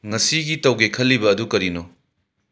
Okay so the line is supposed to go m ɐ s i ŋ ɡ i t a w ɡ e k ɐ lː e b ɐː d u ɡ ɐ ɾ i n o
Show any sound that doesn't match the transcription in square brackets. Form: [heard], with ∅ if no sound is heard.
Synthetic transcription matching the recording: [ŋ] ɐ s i [∅] ɡ i t [ɐ] w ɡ e [kʰ] ɐ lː [i] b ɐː d u [k] ɐ ɾ i n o